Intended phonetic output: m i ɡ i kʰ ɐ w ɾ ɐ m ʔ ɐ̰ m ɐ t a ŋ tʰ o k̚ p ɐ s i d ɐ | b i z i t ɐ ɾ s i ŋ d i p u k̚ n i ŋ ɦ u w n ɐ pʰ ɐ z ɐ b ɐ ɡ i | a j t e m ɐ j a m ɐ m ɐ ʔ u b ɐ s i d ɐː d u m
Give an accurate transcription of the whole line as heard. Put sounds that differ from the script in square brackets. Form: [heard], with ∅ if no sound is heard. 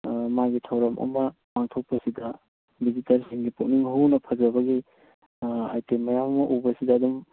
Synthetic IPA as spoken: m [a] ɡ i [tʰ] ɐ w ɾ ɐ m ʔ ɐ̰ m ɐ [p] a ŋ tʰ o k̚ p ɐ s i d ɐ | b i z i t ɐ ɾ s i ŋ [ɡ] i p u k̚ n i ŋ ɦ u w n ɐ pʰ ɐ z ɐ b ɐ ɡ i | a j t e m ɐ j a m ɐ m ɐ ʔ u b ɐ s i d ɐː d u m